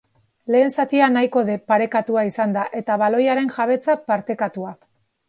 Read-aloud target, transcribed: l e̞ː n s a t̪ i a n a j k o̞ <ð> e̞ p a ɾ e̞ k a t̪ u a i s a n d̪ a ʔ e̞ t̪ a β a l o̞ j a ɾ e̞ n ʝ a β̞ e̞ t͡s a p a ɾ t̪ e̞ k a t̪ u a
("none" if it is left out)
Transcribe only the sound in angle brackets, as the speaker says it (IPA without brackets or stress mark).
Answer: ð